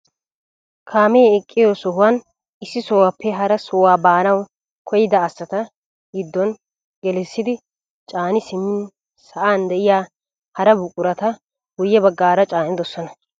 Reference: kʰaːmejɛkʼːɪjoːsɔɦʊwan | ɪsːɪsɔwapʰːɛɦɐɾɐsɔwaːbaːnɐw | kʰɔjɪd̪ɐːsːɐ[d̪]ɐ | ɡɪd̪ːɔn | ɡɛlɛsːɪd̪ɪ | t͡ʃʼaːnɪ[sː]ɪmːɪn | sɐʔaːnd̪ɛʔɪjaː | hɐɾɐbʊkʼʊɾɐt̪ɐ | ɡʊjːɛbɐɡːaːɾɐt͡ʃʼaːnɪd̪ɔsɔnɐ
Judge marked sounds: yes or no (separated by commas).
no, no